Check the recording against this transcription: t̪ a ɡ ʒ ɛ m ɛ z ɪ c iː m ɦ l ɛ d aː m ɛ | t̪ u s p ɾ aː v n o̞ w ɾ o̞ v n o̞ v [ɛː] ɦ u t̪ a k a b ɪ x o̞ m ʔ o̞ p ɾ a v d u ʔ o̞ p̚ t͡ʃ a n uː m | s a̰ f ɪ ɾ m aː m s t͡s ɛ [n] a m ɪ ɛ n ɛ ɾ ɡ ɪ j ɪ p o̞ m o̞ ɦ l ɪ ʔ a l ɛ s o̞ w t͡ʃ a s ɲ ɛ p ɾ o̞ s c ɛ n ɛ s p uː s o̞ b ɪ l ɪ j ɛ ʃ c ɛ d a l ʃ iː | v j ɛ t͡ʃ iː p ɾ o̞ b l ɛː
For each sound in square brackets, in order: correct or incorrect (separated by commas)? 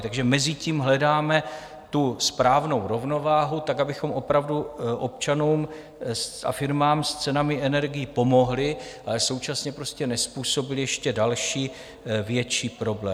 incorrect, correct